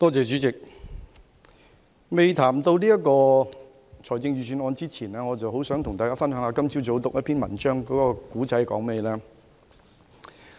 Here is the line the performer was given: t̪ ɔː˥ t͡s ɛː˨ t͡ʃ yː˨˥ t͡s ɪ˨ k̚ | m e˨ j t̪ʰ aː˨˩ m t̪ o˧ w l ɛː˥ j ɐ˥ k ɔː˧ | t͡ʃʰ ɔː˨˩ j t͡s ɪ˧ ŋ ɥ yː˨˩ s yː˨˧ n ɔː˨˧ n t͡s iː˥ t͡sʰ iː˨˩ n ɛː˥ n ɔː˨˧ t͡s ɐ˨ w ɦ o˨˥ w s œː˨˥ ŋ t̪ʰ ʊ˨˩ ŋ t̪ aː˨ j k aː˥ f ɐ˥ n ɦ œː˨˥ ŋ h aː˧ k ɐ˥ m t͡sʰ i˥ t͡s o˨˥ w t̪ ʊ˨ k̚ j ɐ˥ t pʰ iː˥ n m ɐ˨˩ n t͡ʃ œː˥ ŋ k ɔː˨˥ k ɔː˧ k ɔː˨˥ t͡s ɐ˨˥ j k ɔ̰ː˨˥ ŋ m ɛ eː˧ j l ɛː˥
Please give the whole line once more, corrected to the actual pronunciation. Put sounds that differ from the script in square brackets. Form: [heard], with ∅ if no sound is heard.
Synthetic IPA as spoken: t̪ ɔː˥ t͡s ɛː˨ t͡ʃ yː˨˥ t͡s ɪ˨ k̚ | m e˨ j t̪ʰ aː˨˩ m t̪ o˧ w l [iː˥] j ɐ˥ k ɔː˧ | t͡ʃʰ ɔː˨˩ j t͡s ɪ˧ ŋ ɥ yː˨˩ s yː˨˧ n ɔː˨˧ n t͡s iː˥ t͡sʰ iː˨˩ n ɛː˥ [ŋ] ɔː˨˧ t͡s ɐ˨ w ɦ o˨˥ w s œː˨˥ ŋ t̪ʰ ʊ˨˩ ŋ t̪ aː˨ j k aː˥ f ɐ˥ n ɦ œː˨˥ ŋ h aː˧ k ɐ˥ m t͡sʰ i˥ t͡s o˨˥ w t̪ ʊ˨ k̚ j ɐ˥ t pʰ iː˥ n m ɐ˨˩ n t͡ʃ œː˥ ŋ k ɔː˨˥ k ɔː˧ k [uː˨˥] t͡s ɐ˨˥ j k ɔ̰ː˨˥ ŋ m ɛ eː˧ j l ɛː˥